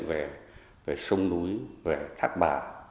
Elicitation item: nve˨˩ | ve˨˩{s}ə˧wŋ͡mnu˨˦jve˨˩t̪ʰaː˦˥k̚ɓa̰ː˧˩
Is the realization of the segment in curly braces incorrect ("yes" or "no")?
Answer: no